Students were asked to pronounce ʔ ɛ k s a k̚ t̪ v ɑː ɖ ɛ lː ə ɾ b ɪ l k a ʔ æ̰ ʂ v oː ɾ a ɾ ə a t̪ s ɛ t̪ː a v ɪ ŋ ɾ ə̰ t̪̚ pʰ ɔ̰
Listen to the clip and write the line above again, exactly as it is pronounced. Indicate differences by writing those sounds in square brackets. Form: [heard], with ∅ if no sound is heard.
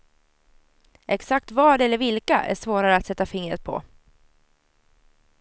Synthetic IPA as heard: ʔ ɛ k s a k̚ t̪ v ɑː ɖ ɛ lː ə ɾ [v] ɪ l k a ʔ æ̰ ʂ v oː ɾ a ɾ ə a t̪ s ɛ t̪ː a [f] ɪ ŋ ɾ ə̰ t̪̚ pʰ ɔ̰